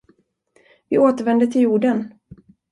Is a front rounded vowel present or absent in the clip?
absent